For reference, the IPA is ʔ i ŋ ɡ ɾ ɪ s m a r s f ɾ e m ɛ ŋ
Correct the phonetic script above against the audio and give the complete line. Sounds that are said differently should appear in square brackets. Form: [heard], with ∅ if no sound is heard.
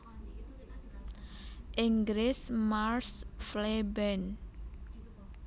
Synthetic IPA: ʔ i ŋ ɡ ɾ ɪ s m a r s f [l] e [b] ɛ [n]